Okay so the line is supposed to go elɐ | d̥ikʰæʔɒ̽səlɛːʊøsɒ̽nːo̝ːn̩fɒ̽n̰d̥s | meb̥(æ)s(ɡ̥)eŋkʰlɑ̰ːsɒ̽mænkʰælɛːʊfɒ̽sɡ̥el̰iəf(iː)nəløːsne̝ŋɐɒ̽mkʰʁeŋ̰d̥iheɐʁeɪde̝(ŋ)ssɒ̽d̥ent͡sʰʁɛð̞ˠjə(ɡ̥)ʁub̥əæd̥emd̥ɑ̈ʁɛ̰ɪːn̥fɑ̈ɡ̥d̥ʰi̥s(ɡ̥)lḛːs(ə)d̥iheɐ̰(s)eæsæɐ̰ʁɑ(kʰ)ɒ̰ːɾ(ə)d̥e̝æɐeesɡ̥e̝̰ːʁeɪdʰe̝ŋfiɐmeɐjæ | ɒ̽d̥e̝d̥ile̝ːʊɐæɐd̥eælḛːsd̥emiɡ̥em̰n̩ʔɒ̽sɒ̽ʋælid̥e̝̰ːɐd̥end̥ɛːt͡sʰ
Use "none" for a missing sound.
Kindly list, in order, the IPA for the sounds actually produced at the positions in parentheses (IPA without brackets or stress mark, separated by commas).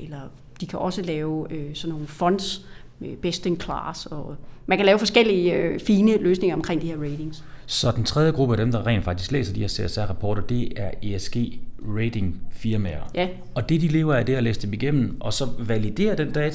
e, d̥, iː, ŋ, ɡ̥, ɡ̥, ɐ, s, pʰ, ɐ